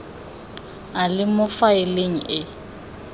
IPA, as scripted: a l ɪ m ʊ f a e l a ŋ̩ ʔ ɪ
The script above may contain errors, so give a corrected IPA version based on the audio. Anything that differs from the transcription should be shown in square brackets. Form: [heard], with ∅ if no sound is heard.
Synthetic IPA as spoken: a l ɪ m ʊ f a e l [e] ŋ̩ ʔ ɪ